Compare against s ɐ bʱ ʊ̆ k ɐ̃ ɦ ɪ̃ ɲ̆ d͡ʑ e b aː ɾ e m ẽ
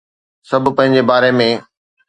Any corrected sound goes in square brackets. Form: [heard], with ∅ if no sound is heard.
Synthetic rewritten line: s ɐ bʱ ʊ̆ [p] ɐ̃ ɦ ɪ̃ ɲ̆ d͡ʑ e b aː ɾ e m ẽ